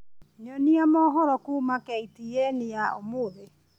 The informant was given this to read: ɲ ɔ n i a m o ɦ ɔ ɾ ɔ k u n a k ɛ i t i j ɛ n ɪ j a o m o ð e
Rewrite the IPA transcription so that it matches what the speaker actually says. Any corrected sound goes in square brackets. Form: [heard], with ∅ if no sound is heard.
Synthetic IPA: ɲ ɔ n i a m [ɔ] ɦ ɔ ɾ ɔ k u [m] a k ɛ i t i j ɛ n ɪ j a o m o ð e